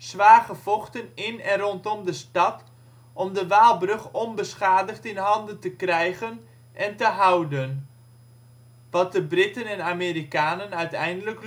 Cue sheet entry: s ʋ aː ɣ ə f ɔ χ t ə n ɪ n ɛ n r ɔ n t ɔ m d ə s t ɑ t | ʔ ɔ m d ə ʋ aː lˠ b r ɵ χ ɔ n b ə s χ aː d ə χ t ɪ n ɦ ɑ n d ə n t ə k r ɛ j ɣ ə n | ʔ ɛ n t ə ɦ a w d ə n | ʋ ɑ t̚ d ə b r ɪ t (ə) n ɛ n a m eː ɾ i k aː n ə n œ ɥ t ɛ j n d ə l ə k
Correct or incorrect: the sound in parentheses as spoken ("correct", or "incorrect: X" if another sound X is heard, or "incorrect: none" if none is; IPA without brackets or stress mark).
correct